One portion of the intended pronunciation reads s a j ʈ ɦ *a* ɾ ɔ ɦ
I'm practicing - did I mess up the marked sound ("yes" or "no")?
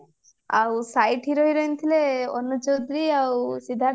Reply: yes